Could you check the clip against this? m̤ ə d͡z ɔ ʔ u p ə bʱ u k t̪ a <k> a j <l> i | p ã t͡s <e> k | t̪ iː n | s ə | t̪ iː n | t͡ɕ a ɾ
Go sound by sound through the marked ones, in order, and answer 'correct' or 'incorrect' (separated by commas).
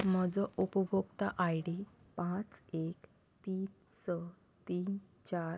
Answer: incorrect, incorrect, correct